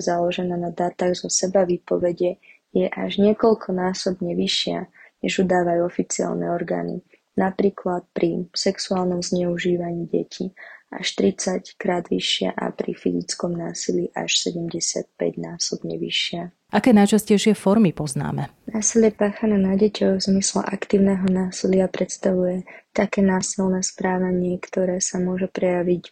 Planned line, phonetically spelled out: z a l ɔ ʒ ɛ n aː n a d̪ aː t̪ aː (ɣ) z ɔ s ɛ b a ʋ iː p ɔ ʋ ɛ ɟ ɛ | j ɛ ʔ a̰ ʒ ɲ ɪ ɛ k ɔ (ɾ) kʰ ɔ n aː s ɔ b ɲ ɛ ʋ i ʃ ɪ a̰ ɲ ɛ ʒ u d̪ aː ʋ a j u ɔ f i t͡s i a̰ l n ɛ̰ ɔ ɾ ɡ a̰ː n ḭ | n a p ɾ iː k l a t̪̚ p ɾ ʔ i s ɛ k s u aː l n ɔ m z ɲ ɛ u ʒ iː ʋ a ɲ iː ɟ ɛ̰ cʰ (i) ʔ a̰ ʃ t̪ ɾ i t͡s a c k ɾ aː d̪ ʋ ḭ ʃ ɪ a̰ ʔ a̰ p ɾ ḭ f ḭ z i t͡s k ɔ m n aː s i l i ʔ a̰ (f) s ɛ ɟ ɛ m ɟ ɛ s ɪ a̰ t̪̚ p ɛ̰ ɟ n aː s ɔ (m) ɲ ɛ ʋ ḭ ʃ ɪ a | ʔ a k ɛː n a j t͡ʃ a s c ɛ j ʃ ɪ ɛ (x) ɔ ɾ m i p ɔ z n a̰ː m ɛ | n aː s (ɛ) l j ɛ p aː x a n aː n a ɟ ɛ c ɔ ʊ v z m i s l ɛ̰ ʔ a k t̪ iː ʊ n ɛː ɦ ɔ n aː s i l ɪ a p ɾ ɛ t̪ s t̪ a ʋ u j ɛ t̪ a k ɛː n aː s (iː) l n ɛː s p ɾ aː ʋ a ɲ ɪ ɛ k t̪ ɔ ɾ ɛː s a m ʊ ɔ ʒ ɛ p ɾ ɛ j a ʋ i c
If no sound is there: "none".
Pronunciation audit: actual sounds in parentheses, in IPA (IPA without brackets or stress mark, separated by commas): ɣ, l, i, ʃ, b, f, i, i